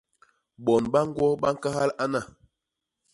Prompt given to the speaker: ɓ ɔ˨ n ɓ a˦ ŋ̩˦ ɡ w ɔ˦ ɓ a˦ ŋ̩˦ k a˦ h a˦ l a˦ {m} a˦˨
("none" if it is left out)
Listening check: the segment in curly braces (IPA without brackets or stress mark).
n